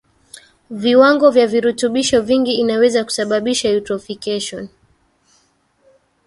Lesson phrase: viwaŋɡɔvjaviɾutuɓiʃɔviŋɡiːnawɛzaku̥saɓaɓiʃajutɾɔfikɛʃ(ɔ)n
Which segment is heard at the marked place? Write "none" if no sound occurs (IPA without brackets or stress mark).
ɔ